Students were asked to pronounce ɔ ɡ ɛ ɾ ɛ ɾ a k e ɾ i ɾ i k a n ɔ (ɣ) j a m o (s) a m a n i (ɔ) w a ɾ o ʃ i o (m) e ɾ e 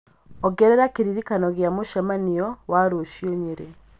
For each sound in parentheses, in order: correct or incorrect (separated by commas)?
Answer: correct, incorrect, correct, incorrect